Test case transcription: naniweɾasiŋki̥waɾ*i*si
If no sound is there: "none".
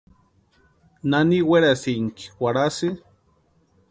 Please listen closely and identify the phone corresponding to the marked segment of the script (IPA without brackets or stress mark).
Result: a